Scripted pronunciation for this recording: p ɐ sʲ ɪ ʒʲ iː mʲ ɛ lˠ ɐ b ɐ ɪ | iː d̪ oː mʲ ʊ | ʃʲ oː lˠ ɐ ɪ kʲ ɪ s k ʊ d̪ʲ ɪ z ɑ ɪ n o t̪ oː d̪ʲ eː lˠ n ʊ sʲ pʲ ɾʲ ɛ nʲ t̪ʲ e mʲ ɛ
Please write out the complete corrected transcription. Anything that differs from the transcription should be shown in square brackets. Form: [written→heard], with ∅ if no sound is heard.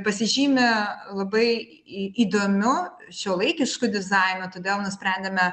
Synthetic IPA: p ɐ sʲ ɪ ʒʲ iː mʲ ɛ lˠ ɐ b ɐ ɪ | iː d̪ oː mʲ ʊ | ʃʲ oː lˠ ɐ ɪ kʲ ɪ [s→ʃ] k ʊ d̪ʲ ɪ z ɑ ɪ n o t̪ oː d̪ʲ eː lˠ n ʊ sʲ pʲ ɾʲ ɛ nʲ [t̪ʲ→d̪ʲ] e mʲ ɛ